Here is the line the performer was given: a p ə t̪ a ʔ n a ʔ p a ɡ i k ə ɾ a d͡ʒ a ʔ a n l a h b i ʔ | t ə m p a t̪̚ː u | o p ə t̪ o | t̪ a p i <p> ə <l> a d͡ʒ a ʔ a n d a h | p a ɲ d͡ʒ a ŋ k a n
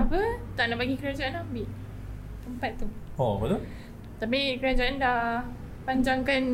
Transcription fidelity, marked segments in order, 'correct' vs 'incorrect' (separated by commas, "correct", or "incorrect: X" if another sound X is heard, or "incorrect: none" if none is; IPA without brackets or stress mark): incorrect: k, incorrect: ɾ